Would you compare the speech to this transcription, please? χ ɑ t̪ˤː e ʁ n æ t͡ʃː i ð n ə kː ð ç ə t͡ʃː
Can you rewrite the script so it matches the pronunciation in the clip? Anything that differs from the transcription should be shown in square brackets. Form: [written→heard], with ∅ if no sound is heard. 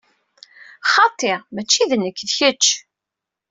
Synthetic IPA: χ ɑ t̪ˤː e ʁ [n→m] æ t͡ʃː i ð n ə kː ð ç ə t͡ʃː